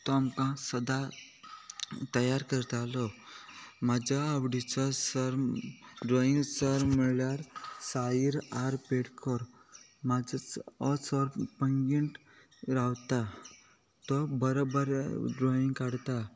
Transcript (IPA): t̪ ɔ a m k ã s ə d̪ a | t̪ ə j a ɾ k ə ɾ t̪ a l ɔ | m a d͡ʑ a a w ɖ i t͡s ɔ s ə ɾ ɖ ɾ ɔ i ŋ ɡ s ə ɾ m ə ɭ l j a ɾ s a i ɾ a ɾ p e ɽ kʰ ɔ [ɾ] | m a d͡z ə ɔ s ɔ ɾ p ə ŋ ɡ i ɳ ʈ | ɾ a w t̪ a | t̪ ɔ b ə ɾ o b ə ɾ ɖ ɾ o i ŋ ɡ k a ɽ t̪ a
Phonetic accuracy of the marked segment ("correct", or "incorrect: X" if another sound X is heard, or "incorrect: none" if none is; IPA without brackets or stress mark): correct